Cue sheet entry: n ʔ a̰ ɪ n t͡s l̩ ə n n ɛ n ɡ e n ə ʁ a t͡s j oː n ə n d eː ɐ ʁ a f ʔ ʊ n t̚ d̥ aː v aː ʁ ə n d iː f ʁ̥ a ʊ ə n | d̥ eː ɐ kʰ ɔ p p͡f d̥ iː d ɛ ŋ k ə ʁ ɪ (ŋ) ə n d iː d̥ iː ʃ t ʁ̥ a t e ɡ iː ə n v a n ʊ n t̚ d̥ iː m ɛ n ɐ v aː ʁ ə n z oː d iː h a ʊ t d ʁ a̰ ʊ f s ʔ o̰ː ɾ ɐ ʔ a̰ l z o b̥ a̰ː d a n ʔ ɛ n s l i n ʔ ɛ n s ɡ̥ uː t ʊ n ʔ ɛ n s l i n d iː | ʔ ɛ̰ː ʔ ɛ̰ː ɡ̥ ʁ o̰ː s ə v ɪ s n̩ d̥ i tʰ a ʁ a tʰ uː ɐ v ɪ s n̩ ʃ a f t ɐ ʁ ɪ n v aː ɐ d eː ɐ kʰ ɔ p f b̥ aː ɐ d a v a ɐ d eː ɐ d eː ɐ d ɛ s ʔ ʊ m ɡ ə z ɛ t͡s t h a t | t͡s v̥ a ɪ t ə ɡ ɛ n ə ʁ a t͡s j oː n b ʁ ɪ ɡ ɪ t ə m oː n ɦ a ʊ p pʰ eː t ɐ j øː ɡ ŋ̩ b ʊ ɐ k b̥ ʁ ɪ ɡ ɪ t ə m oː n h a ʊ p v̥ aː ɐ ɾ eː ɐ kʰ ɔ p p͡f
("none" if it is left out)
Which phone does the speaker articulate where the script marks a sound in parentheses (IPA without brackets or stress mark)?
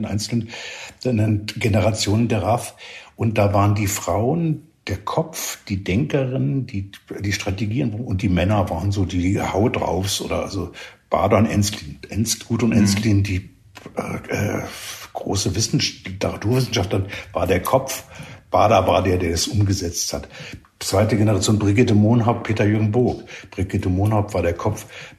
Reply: n